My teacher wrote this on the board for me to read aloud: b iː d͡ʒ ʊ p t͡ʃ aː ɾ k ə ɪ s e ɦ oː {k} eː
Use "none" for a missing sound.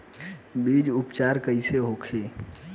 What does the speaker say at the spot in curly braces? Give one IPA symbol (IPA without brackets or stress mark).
kʰ